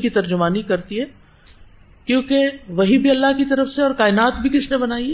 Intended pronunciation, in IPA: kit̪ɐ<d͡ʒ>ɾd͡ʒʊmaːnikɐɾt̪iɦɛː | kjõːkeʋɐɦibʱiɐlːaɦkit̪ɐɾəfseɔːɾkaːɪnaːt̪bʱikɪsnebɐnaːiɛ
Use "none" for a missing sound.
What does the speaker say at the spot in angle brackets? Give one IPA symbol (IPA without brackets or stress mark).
none